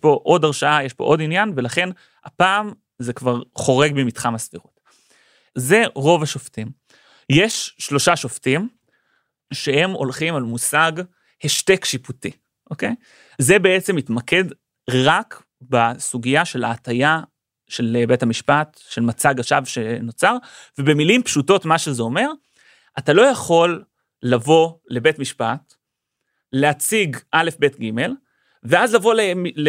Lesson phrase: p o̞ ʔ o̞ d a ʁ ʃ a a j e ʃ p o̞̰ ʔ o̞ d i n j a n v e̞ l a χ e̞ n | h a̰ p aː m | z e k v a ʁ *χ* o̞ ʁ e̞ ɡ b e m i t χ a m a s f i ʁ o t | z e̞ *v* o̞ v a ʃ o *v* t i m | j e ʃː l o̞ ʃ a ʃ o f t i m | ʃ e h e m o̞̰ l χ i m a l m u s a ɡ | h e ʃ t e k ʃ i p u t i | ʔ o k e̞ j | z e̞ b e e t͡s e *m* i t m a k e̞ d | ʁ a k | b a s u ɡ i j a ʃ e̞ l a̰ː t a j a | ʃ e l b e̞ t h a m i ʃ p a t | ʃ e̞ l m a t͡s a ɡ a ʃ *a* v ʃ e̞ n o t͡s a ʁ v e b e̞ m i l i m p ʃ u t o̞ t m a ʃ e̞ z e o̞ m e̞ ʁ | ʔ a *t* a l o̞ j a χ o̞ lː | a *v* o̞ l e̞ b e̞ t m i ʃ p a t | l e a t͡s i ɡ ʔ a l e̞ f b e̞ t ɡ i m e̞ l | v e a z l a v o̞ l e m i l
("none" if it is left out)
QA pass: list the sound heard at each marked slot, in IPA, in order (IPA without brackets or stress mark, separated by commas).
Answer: χ, ʁ, f, m, a, t, v